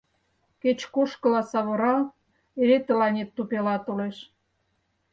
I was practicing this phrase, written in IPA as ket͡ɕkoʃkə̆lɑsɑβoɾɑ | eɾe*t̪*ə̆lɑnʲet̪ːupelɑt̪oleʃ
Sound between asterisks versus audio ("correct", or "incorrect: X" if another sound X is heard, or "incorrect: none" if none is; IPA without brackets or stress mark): correct